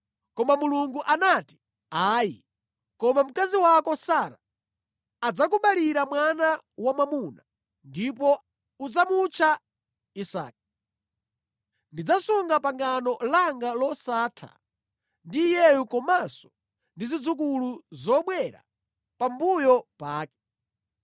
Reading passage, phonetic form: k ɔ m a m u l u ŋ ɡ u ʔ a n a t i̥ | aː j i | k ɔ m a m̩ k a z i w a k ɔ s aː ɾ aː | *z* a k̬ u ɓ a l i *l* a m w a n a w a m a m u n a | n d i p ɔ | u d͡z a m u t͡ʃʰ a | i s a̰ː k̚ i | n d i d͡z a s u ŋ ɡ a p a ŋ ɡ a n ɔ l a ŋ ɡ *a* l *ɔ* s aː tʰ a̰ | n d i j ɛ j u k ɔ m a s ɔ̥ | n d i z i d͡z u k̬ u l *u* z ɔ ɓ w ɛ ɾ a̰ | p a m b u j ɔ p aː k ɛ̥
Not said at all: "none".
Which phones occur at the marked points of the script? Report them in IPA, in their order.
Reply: d͡z, ɾ, a, ɔ, u

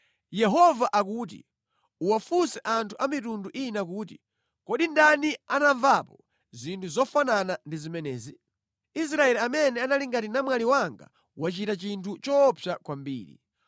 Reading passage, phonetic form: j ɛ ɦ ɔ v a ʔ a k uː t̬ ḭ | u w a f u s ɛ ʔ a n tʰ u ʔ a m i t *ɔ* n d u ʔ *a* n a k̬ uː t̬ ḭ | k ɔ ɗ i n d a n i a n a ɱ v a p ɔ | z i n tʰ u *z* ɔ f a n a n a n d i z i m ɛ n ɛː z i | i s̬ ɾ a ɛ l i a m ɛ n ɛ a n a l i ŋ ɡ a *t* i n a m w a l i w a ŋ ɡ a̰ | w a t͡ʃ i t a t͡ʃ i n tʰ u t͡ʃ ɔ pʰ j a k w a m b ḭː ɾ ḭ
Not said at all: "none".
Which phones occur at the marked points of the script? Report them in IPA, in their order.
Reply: u, i, z, t

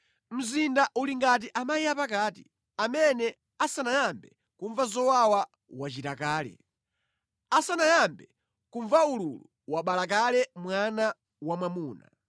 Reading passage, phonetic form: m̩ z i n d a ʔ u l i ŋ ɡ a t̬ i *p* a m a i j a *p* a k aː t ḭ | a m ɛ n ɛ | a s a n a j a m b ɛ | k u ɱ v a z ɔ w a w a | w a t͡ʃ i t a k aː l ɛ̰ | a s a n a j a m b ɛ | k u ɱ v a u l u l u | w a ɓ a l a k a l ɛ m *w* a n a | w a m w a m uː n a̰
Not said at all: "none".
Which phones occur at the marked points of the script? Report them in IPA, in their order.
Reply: ʔ, p, w

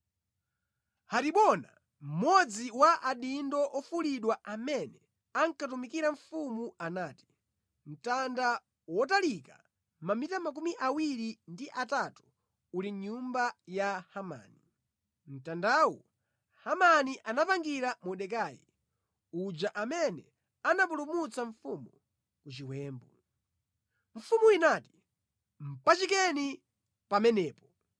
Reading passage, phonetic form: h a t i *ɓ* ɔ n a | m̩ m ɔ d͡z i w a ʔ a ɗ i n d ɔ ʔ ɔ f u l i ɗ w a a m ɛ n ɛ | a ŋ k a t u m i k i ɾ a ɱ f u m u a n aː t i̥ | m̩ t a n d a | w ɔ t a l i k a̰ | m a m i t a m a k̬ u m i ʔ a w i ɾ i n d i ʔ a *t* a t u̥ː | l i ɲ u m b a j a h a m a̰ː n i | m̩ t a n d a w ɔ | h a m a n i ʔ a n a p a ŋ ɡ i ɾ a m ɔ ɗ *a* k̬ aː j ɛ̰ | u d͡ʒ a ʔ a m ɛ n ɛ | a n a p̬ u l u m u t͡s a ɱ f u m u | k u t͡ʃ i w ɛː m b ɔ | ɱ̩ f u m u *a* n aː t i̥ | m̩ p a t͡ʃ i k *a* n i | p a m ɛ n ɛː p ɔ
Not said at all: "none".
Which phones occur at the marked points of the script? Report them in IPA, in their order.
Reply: ɓ, t, ɛ, i, ɛ

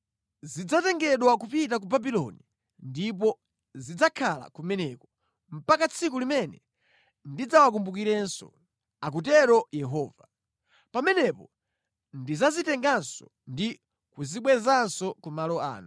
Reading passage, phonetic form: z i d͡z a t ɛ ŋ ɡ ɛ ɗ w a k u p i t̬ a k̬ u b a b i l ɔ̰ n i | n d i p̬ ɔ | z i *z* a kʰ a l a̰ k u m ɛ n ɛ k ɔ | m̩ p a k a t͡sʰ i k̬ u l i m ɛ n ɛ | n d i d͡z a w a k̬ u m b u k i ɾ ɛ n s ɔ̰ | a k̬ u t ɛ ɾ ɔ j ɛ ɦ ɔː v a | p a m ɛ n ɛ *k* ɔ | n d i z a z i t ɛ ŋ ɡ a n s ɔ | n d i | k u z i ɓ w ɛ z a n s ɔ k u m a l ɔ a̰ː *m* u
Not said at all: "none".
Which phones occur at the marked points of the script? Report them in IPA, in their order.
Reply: d͡z, p, n

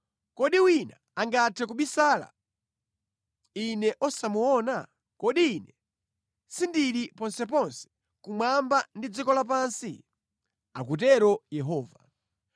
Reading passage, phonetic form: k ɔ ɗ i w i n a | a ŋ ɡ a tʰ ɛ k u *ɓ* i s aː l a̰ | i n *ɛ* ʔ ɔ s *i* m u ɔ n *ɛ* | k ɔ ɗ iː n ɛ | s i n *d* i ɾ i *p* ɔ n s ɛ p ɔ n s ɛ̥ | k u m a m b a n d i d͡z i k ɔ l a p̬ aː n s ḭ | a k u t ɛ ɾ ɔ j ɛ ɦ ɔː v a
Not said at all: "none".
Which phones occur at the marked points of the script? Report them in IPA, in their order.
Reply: ɓ, ɛ, a, a, d, p

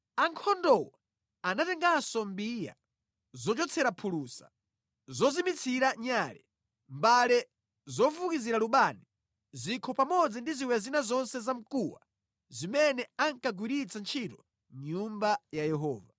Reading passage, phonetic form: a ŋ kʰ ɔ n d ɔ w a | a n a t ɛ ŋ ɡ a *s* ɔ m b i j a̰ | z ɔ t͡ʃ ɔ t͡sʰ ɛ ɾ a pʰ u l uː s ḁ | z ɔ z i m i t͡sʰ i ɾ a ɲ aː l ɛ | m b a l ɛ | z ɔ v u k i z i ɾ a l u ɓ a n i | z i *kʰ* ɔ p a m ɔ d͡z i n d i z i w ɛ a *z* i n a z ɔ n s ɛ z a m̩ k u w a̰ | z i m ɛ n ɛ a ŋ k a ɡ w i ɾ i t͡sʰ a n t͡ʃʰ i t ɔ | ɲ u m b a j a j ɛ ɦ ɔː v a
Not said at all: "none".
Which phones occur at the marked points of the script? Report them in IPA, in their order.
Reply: s, kʰ, z

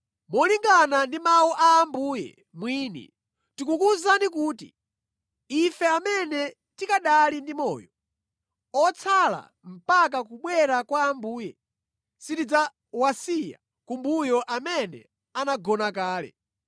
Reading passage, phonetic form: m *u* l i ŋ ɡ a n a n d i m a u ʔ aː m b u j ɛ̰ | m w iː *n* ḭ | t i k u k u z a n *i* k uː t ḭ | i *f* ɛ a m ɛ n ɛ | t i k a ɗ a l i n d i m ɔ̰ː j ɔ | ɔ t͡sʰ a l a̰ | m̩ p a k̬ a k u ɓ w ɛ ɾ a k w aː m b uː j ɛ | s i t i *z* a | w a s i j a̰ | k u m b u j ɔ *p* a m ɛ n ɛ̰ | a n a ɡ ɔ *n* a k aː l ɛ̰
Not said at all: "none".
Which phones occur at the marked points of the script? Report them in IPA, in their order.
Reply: ɔ, n, i, f, d͡z, ʔ, n

